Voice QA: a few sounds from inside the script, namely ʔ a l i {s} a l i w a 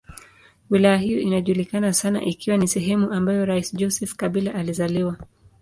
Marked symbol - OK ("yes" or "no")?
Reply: no